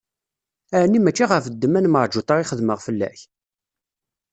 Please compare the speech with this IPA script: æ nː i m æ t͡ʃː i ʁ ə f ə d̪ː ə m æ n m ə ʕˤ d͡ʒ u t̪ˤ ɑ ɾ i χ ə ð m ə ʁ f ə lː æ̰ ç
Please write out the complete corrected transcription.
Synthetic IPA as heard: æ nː i m æ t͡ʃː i ʁ ə f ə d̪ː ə m æ n m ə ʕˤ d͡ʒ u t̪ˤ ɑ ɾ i χ ə ð m ə ʁ f ə lː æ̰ ç